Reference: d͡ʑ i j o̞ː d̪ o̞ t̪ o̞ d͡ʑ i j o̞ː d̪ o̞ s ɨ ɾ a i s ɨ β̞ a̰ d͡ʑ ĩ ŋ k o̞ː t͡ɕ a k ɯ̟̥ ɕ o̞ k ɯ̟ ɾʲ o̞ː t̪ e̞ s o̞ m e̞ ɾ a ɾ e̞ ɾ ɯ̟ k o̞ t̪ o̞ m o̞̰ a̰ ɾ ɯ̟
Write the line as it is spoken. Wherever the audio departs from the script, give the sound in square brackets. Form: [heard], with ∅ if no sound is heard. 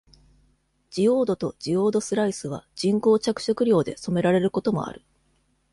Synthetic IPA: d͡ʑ i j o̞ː d̪ o̞ t̪ o̞ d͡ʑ i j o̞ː d̪ o̞ s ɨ ɾ a i s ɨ β̞ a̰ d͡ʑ ĩ ŋ k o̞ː t͡ɕ a k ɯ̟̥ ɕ o̞ k ɯ̟ ɾʲ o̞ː [d̪] e̞ s o̞ m e̞ ɾ a ɾ e̞ ɾ ɯ̟ k o̞ t̪ o̞ m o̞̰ a̰ ɾ ɯ̟